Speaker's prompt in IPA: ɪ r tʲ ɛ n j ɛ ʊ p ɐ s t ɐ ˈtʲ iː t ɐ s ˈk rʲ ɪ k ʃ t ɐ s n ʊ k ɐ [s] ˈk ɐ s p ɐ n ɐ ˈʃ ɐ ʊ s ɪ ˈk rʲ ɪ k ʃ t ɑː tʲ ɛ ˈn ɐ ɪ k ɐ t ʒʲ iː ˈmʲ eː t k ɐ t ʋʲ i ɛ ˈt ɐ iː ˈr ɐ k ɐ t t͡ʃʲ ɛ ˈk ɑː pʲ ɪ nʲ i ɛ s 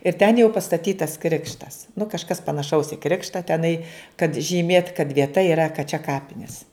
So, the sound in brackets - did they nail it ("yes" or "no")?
no